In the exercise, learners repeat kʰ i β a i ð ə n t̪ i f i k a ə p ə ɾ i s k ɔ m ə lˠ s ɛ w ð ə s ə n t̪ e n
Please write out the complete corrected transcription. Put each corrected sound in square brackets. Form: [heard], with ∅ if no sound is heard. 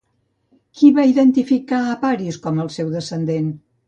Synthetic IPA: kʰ i β a i ð ə n t̪ i f i k a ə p [a] ɾ i s k ɔ m ə lˠ s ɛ w ð ə s ə n [d̪] e n

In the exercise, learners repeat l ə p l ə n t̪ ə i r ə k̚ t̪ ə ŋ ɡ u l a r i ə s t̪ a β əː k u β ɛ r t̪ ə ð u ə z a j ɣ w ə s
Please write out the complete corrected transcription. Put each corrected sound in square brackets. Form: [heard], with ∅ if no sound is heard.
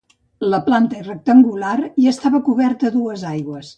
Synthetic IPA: l ə p l [a] n t̪ ə i r ə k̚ t̪ ə ŋ ɡ u l a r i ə s t̪ a β [ə] k u β ɛ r t̪ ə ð u ə z a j ɣ w ə s

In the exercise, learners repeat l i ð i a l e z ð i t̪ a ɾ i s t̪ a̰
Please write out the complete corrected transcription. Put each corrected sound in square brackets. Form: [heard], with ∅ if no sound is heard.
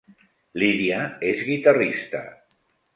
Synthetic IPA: l i ð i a [∅] e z [ɣ] i t̪ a [r] i s t̪ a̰

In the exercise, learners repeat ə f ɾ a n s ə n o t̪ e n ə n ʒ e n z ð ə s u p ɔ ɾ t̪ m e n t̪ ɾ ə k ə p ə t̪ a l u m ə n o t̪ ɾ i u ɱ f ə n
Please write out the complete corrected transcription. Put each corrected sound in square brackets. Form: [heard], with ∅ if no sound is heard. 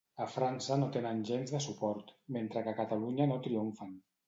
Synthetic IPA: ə f ɾ a n s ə n o t̪ e n ə n ʒ e n z ð ə s u p ɔ ɾ t̪ m e n t̪ ɾ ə k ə [k] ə t̪ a l u [ɲ] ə n o t̪ ɾ i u ɱ f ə n

